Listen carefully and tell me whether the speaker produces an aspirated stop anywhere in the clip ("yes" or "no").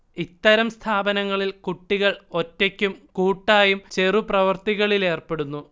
yes